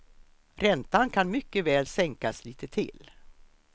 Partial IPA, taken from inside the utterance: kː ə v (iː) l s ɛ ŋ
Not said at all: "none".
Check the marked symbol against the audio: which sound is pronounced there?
ɛː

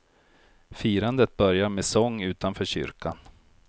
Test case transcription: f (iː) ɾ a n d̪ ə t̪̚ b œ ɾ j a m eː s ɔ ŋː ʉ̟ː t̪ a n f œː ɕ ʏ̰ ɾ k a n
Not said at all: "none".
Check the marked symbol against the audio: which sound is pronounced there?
iː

